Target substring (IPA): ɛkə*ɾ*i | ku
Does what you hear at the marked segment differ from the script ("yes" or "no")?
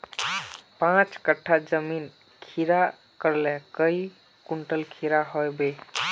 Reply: yes